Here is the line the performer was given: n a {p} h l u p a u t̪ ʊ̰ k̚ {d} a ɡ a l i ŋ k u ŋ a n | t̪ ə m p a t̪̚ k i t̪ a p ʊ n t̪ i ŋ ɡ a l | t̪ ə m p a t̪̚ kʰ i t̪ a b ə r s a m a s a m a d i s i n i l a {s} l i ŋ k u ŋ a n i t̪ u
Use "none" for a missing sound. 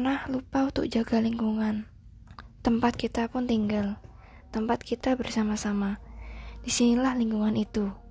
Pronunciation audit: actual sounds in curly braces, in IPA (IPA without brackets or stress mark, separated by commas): none, d͡ʒ, h